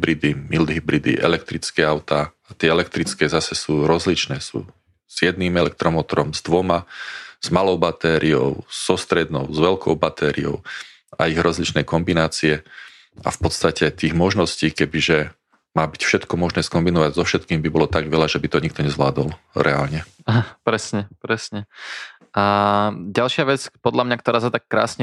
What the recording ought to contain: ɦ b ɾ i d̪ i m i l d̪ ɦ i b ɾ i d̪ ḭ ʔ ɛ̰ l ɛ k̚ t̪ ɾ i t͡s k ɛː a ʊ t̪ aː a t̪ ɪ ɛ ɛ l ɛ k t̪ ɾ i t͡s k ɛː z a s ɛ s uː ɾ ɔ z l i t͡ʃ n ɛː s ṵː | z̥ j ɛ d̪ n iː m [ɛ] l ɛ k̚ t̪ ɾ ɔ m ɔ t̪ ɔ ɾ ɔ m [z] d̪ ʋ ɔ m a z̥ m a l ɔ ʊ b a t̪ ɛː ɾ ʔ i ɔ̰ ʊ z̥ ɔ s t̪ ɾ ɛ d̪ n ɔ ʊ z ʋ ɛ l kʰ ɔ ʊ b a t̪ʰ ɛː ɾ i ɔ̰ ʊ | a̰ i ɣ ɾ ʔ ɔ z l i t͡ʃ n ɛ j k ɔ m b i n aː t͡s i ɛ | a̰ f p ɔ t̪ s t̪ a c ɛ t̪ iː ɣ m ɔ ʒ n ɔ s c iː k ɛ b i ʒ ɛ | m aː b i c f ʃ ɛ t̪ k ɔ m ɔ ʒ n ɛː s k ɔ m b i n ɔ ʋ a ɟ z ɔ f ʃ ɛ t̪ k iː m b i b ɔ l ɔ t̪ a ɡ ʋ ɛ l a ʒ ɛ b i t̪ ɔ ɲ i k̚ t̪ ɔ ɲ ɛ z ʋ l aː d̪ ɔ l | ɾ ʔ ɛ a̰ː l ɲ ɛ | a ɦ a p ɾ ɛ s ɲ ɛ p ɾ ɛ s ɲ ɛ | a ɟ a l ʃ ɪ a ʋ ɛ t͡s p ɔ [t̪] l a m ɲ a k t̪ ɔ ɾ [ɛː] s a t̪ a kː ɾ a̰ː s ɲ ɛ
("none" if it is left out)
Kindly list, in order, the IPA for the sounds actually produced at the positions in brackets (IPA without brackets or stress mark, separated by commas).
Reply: ɛ, z, d̪, aː